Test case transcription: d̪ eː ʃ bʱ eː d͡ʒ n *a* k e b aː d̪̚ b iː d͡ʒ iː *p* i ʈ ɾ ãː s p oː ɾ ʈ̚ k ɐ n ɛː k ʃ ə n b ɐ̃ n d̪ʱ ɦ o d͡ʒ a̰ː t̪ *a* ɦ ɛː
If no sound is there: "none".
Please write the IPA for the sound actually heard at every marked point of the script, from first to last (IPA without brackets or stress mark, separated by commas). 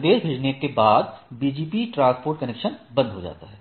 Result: e, p, a